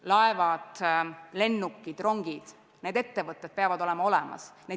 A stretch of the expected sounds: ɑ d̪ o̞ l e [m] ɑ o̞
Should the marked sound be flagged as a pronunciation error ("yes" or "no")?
no